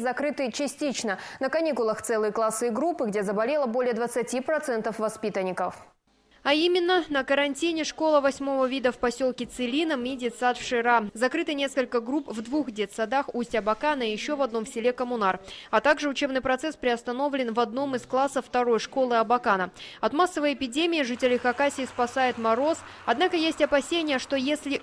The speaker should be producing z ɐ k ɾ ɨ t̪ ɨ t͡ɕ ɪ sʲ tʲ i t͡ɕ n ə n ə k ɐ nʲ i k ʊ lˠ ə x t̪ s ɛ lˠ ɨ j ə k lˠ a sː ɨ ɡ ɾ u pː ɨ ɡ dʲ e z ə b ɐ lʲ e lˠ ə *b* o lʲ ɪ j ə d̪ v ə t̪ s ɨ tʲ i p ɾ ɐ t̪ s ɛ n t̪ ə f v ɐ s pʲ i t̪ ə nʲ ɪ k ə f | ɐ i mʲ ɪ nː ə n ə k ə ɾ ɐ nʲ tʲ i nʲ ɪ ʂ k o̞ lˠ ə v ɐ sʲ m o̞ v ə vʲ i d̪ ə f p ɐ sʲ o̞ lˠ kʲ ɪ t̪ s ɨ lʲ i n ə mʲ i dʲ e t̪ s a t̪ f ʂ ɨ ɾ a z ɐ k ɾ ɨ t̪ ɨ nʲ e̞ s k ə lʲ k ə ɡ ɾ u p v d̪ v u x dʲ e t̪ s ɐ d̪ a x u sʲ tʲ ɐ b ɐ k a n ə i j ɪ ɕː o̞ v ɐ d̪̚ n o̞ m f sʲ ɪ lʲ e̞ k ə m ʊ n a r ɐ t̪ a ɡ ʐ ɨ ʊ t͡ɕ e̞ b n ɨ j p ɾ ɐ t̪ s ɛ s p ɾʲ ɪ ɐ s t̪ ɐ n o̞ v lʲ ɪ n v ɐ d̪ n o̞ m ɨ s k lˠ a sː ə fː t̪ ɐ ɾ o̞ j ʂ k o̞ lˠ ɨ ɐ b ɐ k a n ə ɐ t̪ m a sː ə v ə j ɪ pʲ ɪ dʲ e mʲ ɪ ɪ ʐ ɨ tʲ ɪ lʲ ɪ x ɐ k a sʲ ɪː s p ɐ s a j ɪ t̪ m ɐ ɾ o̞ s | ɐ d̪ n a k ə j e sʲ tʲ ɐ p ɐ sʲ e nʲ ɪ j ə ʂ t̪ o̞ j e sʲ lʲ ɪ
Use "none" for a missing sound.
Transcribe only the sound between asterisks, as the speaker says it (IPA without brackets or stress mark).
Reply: b